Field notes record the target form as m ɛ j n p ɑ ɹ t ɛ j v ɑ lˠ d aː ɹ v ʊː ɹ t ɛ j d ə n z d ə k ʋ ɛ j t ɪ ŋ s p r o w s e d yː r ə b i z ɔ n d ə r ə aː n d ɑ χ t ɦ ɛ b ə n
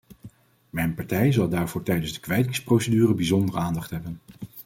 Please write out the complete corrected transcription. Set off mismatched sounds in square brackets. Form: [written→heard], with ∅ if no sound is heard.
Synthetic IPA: m ɛ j n p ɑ ɹ t ɛ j [v→z] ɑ lˠ d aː ɹ v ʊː ɹ t ɛ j d ə n z d ə k ʋ ɛ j t ɪ ŋ s p r o w s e d yː r ə b i z ɔ n d ə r ə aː n d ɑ χ t ɦ ɛ b ə n

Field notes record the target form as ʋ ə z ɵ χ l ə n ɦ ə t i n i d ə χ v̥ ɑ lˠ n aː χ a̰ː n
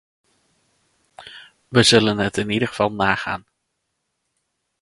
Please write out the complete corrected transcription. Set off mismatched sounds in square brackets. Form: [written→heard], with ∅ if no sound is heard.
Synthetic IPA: ʋ ə z ɵ [χ→∅] l ə n ɦ ə t [i→ɪ] n i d ə χ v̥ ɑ lˠ n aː χ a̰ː n

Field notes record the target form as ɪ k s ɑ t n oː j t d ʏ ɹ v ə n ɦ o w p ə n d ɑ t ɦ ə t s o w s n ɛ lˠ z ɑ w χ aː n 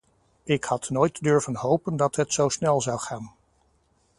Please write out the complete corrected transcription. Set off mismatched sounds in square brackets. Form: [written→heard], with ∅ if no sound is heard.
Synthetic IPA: ɪ k [s→h] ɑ t n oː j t d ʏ ɹ v ə n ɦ o w p ə n d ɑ t ɦ ə t s o w s n ɛ lˠ z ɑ w χ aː n

